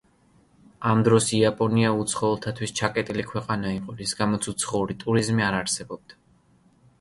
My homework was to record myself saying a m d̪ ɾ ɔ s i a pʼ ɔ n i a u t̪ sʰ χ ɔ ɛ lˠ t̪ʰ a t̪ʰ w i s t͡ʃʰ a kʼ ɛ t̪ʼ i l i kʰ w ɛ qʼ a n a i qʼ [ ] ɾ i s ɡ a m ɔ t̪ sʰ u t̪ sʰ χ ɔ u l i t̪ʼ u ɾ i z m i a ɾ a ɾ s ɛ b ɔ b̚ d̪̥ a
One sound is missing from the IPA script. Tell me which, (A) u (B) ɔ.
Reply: B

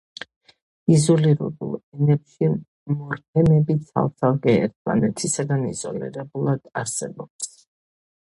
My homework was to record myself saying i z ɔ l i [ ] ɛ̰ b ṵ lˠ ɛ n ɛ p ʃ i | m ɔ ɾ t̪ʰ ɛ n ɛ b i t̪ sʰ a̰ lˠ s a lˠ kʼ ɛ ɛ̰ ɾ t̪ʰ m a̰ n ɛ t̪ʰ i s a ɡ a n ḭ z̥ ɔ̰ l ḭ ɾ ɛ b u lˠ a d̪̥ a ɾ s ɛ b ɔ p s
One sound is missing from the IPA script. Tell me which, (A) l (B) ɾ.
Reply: B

